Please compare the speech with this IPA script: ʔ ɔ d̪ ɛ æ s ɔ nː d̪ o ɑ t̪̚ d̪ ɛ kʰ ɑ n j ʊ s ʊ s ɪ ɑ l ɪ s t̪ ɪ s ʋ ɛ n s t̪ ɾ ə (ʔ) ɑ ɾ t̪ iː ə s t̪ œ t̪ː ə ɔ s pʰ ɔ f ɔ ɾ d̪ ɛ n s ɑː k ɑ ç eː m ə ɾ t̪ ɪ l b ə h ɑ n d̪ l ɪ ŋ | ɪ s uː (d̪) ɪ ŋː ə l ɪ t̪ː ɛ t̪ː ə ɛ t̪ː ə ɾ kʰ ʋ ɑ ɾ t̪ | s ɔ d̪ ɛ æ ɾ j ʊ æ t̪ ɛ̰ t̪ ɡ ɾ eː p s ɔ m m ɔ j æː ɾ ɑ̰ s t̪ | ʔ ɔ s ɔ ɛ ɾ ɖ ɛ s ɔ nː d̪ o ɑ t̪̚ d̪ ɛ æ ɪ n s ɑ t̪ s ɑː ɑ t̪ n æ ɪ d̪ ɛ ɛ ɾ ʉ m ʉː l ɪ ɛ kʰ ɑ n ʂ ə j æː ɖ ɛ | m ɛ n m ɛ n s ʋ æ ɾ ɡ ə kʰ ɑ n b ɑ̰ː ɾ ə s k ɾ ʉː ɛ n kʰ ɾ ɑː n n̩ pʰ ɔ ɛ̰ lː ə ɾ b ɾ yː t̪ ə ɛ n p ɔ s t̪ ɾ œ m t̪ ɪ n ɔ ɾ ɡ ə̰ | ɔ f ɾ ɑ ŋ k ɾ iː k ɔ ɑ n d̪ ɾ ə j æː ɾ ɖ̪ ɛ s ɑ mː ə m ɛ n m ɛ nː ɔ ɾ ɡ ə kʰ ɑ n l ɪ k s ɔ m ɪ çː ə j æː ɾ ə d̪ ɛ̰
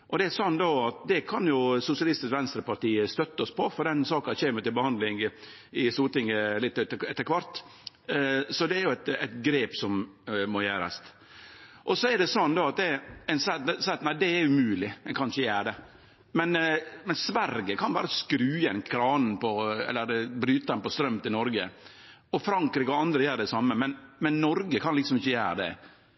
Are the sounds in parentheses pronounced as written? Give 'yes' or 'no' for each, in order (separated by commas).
no, no